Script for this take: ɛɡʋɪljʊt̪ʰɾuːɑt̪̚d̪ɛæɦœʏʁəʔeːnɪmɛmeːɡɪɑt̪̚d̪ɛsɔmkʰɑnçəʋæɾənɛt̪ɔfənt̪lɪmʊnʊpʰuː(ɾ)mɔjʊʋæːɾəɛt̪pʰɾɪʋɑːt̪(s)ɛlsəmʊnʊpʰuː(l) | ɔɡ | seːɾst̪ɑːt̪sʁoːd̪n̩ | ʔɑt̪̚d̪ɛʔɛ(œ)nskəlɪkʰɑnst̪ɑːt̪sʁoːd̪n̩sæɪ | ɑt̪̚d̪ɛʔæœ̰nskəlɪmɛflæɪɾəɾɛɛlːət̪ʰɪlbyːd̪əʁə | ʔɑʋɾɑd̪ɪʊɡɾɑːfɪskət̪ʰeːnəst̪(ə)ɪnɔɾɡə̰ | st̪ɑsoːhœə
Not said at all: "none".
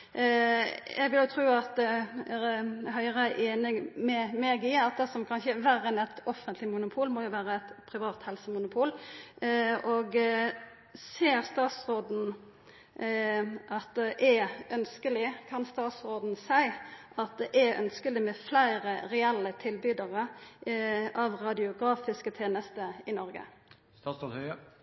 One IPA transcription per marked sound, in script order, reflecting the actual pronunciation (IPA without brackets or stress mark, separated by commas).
l, h, l, œ, ə